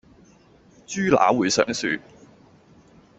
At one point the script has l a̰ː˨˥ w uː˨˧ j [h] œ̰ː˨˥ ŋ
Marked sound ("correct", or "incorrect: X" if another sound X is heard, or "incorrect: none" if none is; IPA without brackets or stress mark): incorrect: s